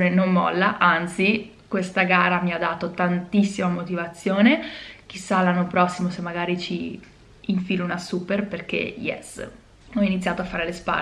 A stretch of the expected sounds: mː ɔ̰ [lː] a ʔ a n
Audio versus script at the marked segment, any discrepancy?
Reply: no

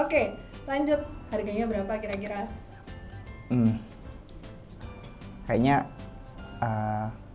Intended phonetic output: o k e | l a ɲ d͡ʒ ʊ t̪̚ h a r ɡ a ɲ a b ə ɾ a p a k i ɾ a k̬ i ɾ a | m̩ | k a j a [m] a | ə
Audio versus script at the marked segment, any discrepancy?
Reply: yes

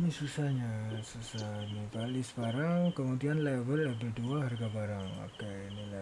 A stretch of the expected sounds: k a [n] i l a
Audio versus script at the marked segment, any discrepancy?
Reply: no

